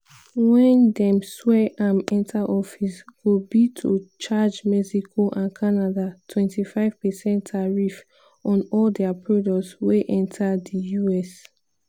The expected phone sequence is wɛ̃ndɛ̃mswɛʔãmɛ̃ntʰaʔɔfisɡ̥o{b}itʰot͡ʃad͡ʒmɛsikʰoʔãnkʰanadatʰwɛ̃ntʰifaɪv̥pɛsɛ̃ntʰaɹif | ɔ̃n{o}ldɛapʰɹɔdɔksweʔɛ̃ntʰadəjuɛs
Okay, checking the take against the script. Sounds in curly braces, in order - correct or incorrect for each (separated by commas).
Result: correct, incorrect